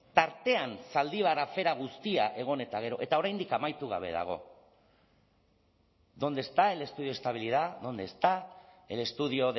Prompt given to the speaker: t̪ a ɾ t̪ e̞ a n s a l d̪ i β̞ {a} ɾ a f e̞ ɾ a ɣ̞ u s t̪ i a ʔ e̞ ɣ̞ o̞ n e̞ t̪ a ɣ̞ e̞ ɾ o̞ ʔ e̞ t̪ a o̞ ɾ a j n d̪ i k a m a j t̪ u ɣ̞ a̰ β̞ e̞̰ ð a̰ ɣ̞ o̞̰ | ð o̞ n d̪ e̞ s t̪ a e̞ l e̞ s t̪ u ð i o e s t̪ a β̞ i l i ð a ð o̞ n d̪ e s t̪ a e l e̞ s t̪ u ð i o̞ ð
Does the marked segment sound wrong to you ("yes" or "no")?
no